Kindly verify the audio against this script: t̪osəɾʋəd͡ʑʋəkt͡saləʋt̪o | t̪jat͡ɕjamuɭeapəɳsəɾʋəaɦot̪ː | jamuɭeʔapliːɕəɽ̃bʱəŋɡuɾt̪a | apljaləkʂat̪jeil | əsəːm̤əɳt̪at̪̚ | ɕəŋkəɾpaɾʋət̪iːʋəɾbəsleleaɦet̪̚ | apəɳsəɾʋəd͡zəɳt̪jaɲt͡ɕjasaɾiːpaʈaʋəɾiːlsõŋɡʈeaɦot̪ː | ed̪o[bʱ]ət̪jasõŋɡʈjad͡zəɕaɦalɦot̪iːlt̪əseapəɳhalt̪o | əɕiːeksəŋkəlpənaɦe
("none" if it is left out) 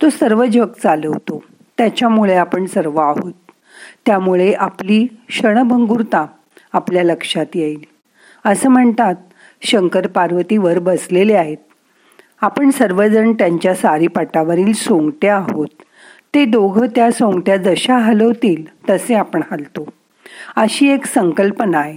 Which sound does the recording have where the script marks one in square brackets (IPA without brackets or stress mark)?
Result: ɡʱ